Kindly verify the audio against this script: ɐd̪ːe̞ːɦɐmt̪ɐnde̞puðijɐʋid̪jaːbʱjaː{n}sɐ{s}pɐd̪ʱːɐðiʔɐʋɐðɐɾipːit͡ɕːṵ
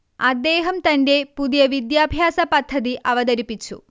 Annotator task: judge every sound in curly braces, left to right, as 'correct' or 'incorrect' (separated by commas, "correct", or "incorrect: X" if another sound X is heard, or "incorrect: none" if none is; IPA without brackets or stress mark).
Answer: incorrect: none, incorrect: none